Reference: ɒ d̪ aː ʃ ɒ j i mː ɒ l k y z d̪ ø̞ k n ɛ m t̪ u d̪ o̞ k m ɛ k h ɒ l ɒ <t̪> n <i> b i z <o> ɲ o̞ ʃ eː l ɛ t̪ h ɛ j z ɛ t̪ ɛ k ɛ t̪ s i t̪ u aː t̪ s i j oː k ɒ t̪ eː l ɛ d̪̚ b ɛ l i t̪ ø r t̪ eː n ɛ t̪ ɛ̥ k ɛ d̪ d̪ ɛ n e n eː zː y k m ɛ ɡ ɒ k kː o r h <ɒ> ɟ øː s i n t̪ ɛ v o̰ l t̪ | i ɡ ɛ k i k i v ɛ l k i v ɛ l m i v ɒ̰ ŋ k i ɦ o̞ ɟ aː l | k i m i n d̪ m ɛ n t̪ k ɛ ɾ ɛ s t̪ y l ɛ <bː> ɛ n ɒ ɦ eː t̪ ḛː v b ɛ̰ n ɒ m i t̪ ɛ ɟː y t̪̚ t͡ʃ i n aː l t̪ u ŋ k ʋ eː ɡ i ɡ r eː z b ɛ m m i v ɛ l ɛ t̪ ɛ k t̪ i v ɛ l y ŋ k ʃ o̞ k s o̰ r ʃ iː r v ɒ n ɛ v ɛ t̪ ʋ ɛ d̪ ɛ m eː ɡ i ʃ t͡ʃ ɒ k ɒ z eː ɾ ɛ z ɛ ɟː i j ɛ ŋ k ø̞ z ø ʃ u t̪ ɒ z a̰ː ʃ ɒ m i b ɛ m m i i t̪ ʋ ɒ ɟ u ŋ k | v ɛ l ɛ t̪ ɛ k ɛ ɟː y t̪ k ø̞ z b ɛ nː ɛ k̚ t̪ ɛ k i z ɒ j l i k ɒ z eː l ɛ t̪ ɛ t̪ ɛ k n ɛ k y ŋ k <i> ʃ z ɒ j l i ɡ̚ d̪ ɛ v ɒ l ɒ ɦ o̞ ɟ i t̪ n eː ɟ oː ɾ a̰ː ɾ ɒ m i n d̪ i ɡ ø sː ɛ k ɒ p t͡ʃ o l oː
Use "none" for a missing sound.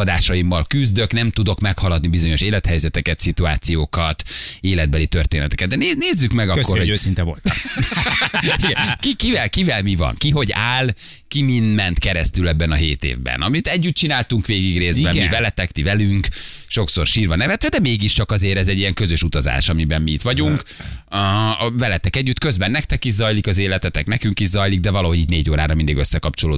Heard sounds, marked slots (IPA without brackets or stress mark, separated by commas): d̪, i, o, o, bː, i